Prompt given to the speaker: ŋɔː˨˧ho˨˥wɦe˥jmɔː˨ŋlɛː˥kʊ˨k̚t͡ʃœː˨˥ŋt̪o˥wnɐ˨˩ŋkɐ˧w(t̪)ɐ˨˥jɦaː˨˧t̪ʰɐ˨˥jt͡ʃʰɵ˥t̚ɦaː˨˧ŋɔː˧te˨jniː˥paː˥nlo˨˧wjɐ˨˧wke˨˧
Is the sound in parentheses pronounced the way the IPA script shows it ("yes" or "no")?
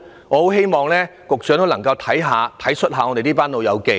no